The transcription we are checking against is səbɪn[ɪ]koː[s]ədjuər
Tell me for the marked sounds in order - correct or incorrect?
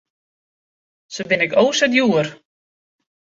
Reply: correct, correct

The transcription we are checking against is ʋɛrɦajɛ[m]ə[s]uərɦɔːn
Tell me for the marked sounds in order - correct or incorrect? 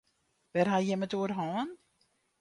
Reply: correct, incorrect

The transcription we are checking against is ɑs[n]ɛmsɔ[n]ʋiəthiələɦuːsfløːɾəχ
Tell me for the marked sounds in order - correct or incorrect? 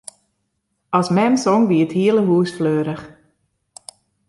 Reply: incorrect, incorrect

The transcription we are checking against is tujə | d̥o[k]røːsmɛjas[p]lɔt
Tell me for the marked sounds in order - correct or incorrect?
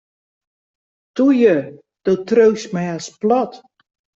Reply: incorrect, correct

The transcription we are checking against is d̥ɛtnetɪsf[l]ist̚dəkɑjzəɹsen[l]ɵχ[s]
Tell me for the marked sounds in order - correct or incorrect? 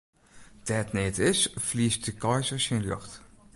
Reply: correct, correct, incorrect

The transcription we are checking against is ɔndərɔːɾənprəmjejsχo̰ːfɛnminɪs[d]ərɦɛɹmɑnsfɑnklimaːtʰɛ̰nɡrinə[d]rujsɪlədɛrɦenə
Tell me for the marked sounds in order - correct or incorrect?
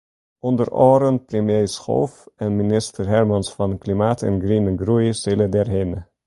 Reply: incorrect, incorrect

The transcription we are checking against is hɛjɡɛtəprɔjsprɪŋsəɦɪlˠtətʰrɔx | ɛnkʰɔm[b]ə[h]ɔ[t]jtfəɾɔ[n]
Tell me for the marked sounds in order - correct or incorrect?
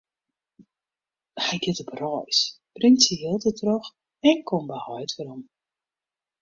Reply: correct, correct, incorrect, incorrect

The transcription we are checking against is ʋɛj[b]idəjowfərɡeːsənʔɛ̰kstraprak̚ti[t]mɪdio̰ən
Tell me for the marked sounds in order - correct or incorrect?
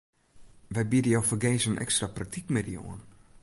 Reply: correct, incorrect

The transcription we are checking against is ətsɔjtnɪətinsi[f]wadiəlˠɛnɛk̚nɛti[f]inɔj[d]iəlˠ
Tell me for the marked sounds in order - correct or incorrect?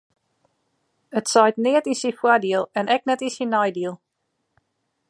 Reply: correct, incorrect, correct

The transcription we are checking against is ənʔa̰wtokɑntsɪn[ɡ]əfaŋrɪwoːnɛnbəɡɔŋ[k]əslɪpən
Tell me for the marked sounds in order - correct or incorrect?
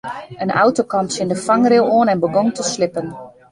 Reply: incorrect, incorrect

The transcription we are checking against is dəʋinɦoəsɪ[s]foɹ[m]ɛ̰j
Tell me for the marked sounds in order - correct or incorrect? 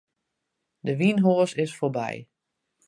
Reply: correct, incorrect

